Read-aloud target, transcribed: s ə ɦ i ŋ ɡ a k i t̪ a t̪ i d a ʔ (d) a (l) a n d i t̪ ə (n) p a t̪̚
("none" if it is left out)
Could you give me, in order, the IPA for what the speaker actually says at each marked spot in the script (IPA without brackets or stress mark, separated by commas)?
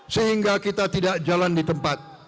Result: d͡ʒ, l, m